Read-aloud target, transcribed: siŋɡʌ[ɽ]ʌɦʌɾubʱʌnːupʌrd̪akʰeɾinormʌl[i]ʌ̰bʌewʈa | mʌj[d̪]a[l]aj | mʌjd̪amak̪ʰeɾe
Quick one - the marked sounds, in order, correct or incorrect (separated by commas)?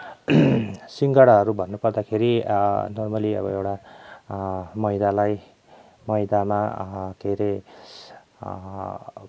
correct, correct, correct, correct